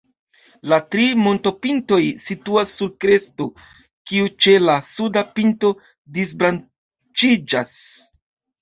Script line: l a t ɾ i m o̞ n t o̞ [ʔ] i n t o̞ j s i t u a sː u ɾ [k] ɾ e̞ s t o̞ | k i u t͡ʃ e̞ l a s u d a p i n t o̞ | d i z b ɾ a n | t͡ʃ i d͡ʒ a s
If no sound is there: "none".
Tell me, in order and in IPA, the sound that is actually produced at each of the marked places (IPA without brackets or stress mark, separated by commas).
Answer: p, k